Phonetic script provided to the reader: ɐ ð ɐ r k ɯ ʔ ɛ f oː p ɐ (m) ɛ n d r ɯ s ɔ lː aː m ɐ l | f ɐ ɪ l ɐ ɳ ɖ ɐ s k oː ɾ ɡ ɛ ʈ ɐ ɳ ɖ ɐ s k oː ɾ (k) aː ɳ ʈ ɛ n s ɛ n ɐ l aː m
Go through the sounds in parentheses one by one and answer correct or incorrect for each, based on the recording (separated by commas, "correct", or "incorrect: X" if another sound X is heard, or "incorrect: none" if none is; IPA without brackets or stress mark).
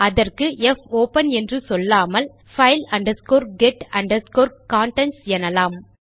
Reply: incorrect: n, correct